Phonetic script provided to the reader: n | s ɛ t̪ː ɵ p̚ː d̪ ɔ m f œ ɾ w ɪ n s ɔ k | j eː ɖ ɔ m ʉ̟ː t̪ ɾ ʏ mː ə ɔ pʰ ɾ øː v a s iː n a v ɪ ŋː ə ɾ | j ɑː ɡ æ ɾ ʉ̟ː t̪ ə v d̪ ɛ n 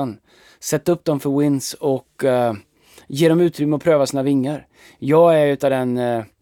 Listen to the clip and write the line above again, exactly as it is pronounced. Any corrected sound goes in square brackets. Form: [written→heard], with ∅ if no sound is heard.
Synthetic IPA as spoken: n | s ɛ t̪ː ɵ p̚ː d̪ ɔ m f œ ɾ w ɪ n s ɔ k | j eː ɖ ɔ m ʉ̟ː t̪ ɾ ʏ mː ə ɔ pʰ ɾ øː v a s iː n a v ɪ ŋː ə ɾ | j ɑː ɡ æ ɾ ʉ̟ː t̪ [ə→a] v d̪ ɛ n